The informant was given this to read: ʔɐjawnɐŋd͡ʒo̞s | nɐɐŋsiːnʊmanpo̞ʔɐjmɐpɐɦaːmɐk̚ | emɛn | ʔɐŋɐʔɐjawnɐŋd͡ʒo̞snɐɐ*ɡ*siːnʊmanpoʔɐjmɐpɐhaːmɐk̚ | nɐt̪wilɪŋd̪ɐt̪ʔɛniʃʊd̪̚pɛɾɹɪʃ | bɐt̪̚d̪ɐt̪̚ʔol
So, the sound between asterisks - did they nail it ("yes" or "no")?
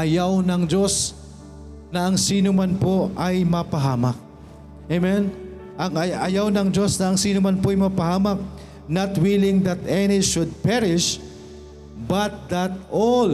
no